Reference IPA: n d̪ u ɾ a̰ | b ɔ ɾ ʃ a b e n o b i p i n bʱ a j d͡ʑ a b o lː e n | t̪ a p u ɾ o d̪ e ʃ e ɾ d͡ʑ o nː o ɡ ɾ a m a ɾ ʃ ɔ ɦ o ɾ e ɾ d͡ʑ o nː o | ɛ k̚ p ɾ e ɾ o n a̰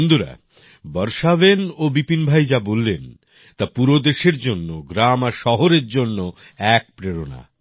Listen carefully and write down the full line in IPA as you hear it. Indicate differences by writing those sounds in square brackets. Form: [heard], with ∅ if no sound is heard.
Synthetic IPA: n d̪ u ɾ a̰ | b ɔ ɾ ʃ a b e n o b i p i n bʱ a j d͡ʑ a b o lː e n | t̪ a p u ɾ o d̪ e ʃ e ɾ d͡ʑ o nː o ɡ ɾ a m a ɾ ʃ ɔ ɦ o ɾ e ɾ d͡ʑ o nː o | ɛ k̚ p ɾ e ɾ o n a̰